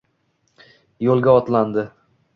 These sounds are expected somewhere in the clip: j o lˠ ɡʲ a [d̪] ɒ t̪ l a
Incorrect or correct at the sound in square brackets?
incorrect: none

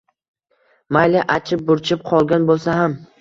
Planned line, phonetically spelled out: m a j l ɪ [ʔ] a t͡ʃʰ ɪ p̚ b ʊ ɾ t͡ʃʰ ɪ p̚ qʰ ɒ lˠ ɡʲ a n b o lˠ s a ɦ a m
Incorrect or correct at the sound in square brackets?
correct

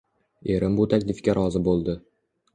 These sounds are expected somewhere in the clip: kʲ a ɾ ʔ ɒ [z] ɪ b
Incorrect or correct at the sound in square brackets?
correct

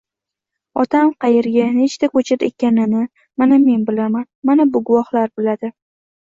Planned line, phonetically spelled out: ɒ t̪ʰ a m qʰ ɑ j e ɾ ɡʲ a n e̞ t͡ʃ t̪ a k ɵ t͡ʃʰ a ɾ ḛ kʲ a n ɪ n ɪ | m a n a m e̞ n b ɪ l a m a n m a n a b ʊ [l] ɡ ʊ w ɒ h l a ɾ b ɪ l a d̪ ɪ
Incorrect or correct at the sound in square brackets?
incorrect: none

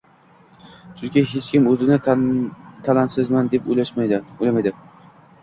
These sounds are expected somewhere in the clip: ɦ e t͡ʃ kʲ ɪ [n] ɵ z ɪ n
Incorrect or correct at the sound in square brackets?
incorrect: m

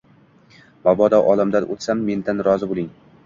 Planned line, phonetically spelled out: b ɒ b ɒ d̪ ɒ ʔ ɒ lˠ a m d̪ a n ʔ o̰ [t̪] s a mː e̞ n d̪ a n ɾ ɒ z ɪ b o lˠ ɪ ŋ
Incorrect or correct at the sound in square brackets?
correct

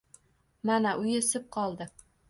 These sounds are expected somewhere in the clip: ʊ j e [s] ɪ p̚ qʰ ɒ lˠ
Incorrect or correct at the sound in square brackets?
correct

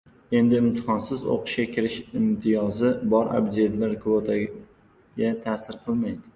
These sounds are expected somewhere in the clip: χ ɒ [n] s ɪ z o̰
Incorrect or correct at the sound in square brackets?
correct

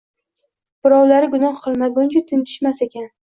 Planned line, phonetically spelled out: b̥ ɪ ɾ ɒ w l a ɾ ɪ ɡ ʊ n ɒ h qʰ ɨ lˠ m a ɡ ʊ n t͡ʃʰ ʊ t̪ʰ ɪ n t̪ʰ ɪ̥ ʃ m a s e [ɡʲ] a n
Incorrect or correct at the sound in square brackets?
incorrect: kʲ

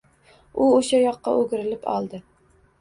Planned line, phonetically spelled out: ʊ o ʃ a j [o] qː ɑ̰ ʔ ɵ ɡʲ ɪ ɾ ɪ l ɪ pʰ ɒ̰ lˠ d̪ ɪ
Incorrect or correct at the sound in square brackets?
incorrect: ɒ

